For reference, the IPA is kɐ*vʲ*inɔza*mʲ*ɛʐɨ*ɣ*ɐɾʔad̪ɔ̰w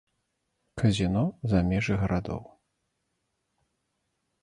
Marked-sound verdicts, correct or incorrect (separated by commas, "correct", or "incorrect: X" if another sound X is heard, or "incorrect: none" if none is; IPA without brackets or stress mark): incorrect: zʲ, correct, correct